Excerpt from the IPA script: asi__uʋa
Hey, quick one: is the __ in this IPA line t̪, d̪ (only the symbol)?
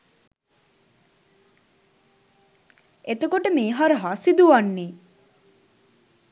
d̪